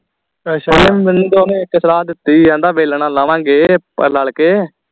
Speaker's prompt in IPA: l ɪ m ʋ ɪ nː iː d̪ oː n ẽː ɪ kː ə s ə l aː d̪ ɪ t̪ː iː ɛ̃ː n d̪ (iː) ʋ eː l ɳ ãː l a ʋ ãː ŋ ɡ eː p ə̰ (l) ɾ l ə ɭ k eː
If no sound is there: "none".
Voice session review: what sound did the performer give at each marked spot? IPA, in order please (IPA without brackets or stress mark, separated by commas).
aː, none